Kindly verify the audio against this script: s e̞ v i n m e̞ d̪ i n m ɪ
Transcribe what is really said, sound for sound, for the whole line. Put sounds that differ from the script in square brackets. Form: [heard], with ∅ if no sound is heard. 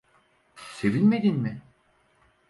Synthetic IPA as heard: s e̞ v i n m e̞ d̪ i n m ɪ